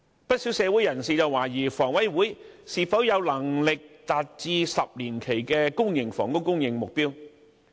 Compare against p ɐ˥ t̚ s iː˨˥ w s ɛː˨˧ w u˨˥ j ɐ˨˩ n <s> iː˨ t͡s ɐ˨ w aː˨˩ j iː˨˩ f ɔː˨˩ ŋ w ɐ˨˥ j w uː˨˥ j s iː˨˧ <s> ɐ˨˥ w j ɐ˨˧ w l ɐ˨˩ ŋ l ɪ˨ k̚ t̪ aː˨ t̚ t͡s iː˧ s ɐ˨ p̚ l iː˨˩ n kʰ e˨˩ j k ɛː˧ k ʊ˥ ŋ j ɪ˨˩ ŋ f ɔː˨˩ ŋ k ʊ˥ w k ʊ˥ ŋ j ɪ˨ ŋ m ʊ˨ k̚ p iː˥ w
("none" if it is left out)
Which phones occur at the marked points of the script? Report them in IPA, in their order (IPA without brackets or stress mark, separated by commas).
s, f